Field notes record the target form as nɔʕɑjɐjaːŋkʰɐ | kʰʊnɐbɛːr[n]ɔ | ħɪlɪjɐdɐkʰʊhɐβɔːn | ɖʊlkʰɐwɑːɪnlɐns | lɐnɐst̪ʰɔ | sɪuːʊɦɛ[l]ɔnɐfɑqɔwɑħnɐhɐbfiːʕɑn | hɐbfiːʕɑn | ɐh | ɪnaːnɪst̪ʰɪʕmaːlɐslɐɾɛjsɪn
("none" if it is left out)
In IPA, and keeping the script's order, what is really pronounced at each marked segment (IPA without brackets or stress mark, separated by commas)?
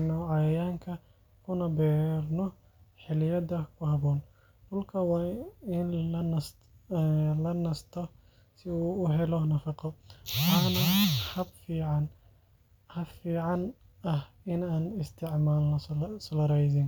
n, l